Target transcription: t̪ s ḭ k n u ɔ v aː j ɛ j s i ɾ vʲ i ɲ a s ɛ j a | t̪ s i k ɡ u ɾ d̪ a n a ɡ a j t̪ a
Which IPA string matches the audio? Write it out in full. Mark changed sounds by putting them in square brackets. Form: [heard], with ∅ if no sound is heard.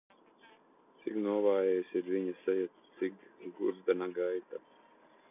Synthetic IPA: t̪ s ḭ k n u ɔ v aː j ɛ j s i ɾ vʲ i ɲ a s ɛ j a | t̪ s i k ɡ u ɾ d̪ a n a ɡ a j t̪ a